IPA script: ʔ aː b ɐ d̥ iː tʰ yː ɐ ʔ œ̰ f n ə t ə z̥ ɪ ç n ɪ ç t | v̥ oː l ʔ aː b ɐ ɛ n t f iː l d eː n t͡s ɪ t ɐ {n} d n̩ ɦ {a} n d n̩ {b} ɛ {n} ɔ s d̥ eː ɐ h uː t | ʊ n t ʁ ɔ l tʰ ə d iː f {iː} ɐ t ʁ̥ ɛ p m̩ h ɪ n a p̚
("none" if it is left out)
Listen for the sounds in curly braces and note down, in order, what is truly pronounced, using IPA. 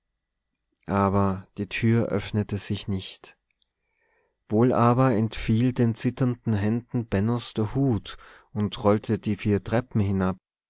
n, ɛ, b, n, iː

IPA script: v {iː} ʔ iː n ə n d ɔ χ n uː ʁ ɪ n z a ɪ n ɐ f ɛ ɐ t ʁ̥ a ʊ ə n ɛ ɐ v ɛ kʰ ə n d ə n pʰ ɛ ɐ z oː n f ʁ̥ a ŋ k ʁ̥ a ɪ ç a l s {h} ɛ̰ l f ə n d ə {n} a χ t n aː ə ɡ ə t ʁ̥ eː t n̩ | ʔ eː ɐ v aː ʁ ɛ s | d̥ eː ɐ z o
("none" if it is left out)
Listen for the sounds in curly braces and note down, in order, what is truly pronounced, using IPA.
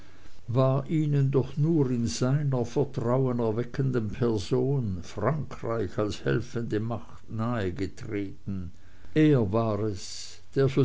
aː, h, m

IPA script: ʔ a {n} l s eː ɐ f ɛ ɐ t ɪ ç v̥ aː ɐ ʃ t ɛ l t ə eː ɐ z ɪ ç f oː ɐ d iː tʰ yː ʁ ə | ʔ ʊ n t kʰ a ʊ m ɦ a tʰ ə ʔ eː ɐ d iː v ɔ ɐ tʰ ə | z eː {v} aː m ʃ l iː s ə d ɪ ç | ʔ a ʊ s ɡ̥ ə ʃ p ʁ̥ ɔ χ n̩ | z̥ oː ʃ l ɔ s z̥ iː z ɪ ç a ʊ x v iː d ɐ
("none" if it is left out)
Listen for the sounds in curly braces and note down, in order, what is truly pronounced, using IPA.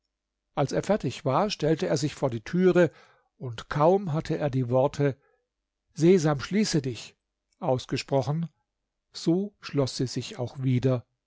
none, z

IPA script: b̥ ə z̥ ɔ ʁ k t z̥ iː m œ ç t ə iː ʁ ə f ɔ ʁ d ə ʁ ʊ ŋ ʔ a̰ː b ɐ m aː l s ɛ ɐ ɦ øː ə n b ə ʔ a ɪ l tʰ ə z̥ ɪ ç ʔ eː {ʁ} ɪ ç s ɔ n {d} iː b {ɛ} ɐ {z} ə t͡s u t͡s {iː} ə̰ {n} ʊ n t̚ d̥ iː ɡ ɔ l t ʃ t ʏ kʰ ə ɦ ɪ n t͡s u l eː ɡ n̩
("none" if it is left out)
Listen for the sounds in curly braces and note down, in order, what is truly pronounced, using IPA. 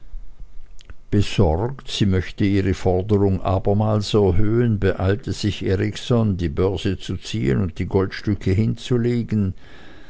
ʁ, d, œ, z, iː, n

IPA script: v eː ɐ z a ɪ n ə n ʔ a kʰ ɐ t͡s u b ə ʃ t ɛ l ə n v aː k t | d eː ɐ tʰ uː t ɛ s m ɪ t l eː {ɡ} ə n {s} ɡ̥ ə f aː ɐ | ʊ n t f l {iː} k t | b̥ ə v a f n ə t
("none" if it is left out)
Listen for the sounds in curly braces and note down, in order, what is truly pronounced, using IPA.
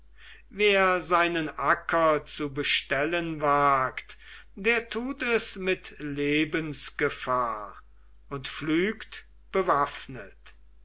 b, s, yː

